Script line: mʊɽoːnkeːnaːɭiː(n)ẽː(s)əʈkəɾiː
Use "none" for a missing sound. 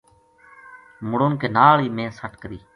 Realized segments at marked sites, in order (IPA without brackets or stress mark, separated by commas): m, s